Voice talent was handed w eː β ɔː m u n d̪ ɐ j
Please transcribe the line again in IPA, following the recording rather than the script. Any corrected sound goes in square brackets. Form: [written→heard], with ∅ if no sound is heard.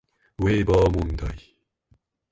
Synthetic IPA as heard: w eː [β→b] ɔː m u n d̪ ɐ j